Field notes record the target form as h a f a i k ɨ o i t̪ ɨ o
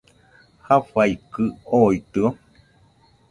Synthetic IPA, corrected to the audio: h a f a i k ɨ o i t̪ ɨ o